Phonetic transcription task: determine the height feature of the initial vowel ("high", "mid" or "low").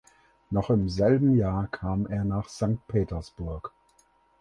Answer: mid